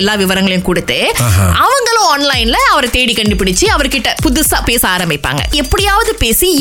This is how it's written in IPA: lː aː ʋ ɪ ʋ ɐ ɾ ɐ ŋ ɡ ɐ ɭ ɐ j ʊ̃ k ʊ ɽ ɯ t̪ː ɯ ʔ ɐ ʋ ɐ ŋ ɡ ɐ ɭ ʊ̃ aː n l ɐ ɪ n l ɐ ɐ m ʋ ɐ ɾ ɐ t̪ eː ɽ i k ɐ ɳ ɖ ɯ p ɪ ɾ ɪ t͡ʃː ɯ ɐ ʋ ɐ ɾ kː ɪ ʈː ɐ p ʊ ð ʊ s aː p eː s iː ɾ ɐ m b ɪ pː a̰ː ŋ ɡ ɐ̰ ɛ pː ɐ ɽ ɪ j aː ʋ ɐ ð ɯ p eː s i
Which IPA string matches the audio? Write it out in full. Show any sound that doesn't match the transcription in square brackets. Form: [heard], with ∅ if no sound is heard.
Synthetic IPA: lː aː ʋ ɪ ʋ ɐ ɾ ɐ ŋ ɡ ɐ ɭ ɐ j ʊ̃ k ʊ ɽ ɯ t̪ː ɯ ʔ ɐ ʋ ɐ ŋ ɡ ɐ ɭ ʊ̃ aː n l ɐ ɪ n l ɐ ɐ [∅] ʋ ɐ ɾ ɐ t̪ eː ɽ i k ɐ ɳ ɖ ɯ p ɪ [ɽ] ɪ t͡ʃː ɯ ɐ ʋ ɐ ɾ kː ɪ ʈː ɐ p ʊ ð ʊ s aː p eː s [aː] ɾ ɐ m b ɪ pː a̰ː ŋ ɡ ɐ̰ ɛ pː ɐ ɽ ɪ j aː ʋ ɐ ð ɯ p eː s i